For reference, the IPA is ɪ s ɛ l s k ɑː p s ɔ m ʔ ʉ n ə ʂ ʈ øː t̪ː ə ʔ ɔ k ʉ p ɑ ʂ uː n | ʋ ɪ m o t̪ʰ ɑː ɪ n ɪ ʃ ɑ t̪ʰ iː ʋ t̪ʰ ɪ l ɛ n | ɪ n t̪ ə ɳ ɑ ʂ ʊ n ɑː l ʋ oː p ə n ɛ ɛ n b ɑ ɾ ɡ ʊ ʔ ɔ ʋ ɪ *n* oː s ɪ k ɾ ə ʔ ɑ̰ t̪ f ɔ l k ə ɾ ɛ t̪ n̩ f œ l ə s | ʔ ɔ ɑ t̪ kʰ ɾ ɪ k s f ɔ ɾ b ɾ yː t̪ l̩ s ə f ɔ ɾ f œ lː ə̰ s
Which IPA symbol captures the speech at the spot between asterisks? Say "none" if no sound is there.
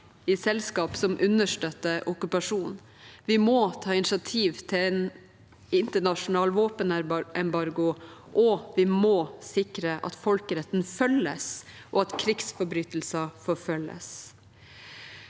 m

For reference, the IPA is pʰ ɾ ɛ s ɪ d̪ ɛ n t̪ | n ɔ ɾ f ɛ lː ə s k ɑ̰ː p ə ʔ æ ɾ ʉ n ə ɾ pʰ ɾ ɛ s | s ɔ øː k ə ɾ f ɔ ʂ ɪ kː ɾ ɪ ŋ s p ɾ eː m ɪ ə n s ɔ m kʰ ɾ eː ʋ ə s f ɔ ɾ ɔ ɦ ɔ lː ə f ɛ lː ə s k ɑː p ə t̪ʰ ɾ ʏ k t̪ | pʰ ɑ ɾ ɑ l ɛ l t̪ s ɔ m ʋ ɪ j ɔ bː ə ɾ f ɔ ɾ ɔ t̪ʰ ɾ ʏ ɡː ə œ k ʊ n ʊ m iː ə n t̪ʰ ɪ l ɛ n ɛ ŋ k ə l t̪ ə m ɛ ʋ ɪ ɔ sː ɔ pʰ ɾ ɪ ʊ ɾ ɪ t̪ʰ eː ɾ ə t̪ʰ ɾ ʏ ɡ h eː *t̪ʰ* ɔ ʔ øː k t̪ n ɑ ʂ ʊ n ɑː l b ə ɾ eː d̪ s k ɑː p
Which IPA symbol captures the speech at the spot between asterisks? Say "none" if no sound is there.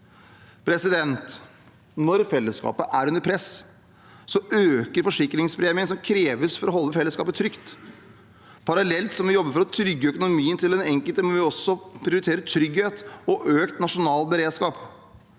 t̪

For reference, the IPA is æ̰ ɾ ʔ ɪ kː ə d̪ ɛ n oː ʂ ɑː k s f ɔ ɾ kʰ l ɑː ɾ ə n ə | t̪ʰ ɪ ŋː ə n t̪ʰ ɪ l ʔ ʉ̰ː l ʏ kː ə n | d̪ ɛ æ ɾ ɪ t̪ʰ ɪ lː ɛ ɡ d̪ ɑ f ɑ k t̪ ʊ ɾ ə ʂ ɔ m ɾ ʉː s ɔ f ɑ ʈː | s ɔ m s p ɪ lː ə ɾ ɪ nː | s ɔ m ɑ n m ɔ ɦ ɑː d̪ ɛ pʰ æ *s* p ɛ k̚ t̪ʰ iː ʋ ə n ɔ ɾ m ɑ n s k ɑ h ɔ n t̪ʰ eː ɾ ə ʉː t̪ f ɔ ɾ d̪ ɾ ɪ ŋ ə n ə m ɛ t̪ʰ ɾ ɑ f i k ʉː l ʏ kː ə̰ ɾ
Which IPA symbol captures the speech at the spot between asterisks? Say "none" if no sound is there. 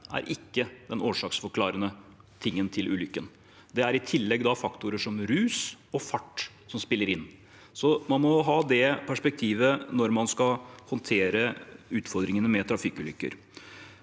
ʂ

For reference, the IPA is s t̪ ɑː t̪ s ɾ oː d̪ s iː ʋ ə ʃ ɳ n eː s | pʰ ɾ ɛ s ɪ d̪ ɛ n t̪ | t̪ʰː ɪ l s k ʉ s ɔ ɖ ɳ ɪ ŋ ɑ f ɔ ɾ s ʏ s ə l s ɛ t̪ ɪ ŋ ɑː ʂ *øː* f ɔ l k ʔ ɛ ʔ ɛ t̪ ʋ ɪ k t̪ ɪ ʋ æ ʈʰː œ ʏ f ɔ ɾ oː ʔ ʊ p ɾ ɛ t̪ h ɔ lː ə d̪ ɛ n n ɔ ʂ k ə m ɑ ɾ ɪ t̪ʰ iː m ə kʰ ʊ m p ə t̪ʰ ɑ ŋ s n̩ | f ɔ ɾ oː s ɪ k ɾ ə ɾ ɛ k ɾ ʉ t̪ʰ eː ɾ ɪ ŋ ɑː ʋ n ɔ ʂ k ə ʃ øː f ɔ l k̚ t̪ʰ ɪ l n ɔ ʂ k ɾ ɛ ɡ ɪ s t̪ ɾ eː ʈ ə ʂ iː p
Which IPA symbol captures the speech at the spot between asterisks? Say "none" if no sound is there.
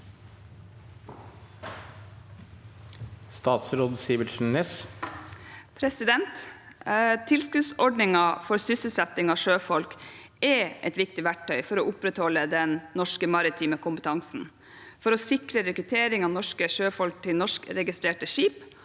øː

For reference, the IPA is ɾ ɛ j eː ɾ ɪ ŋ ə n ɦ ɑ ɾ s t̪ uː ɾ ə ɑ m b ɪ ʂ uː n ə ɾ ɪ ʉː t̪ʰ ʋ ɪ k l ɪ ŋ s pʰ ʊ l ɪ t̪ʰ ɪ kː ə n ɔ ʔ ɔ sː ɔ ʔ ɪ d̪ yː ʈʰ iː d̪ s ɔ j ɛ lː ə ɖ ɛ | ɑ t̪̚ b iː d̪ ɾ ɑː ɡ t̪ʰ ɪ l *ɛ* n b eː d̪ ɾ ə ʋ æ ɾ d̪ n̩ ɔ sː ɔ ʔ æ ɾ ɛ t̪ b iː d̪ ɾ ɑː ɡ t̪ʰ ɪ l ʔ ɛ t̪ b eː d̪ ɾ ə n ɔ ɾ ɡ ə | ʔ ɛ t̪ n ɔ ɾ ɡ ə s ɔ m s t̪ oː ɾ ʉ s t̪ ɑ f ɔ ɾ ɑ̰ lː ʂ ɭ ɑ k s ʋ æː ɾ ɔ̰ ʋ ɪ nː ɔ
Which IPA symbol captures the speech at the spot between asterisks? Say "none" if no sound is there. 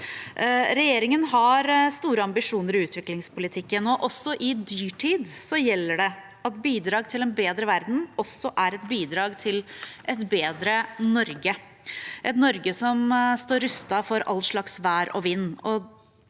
ɛ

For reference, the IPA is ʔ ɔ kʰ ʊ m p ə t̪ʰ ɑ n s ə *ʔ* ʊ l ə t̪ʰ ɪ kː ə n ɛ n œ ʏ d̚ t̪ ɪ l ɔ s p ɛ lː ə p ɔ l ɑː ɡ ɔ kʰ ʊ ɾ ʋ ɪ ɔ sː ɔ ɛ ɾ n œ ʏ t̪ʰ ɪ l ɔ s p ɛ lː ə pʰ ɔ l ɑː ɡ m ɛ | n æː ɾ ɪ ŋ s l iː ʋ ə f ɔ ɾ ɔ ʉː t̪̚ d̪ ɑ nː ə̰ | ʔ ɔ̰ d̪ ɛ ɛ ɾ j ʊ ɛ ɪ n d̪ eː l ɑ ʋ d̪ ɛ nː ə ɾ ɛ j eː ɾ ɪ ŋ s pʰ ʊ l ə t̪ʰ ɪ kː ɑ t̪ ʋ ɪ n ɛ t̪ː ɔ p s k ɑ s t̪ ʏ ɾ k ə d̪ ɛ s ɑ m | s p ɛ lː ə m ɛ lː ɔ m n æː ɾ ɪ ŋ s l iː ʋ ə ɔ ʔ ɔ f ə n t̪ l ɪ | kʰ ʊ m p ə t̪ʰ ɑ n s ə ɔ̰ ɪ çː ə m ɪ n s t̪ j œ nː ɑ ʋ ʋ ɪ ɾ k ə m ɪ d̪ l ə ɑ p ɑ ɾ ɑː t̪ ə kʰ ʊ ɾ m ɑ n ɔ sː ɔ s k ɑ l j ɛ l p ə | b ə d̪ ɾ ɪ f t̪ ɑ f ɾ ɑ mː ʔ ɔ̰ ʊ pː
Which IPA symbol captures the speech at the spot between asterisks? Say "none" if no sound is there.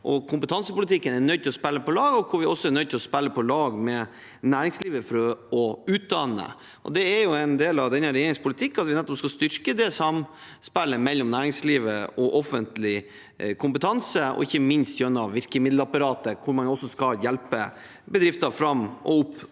p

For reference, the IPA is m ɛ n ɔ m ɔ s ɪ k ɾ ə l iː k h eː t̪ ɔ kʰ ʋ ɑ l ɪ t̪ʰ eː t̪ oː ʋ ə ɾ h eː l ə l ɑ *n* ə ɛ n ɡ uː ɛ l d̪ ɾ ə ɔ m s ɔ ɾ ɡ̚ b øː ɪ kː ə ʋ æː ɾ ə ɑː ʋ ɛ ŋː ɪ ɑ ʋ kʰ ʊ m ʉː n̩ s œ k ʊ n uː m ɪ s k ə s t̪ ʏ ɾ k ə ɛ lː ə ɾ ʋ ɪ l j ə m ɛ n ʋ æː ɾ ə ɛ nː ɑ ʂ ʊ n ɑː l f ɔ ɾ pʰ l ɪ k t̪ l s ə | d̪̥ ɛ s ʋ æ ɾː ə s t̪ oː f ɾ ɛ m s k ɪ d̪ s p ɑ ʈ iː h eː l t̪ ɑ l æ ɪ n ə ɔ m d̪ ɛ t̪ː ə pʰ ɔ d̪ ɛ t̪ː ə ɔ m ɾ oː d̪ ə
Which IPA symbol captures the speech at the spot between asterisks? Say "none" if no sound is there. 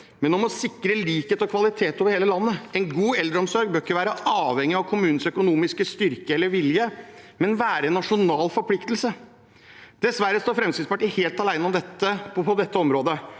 nː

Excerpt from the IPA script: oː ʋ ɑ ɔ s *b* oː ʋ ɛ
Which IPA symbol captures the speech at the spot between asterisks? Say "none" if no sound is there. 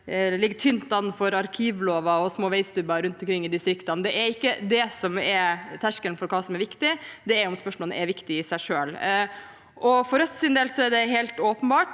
m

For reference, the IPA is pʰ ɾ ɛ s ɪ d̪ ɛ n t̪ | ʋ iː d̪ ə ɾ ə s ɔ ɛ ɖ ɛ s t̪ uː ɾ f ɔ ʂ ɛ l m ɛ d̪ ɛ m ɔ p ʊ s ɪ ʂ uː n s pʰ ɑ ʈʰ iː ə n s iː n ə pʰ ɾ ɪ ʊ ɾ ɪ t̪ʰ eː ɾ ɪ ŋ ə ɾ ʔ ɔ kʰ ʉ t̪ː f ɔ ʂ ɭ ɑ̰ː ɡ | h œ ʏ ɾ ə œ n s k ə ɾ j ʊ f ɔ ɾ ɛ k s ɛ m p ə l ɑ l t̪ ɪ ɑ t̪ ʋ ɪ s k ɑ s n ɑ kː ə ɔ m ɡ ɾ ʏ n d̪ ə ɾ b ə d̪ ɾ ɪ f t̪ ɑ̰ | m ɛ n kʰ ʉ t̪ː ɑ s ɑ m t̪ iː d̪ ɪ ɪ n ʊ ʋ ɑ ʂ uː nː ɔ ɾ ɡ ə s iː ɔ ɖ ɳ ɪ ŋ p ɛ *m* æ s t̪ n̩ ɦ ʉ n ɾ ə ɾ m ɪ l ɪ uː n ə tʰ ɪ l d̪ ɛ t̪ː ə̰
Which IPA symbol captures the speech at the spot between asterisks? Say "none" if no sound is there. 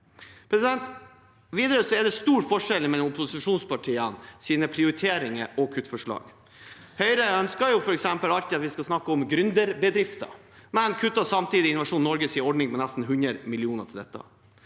n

